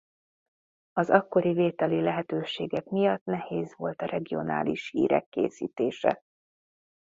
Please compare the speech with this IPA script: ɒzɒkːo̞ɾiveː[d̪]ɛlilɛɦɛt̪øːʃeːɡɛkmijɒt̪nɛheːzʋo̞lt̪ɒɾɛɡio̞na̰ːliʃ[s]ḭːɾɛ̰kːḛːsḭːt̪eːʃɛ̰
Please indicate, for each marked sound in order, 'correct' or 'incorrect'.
incorrect: t̪, incorrect: h

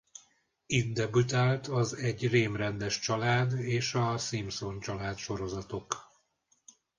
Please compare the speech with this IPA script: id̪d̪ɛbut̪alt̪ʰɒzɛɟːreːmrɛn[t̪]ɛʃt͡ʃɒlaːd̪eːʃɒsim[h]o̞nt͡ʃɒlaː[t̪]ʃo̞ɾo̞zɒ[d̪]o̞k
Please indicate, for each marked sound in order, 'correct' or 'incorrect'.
incorrect: d̪, incorrect: s, correct, incorrect: t̪

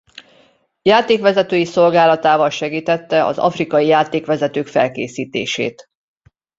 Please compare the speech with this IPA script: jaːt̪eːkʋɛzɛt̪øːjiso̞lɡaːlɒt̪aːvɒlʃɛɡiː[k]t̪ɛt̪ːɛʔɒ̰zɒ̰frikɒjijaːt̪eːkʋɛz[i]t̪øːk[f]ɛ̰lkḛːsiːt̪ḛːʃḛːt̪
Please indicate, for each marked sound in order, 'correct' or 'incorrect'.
incorrect: none, incorrect: ɛ, correct

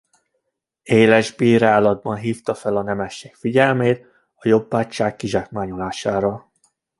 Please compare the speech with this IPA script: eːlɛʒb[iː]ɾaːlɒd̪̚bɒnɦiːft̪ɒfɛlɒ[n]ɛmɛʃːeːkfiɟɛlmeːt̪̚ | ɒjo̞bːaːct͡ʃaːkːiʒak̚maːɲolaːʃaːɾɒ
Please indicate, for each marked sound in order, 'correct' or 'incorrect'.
correct, correct

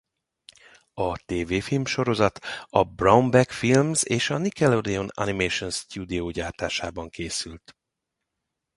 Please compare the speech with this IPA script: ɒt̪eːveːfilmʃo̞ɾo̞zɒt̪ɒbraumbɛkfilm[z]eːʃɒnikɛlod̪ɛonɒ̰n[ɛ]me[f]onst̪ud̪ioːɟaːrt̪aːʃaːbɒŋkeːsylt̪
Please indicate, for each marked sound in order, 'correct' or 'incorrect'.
correct, incorrect: i, incorrect: ʃ

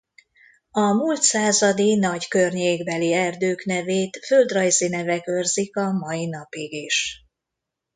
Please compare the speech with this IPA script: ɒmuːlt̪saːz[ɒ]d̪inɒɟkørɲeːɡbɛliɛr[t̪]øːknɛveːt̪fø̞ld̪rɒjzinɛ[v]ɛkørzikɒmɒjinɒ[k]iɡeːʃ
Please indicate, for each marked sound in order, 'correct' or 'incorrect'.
correct, incorrect: d̪, correct, incorrect: p

